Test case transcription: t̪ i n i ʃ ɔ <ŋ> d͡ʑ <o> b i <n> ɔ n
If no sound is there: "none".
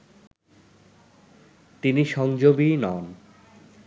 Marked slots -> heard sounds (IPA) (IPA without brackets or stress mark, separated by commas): ŋ, o, n